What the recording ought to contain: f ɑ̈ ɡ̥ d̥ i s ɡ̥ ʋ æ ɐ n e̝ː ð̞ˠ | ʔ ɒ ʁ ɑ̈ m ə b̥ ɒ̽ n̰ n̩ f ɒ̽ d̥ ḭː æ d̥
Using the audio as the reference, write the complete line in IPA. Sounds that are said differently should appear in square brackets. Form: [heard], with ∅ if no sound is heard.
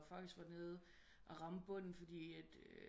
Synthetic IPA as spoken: f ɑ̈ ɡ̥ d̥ i s ɡ̥ ʋ æ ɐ n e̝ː ð̞ˠ | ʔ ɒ ʁ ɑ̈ m ə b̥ [ɔ̽] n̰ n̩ f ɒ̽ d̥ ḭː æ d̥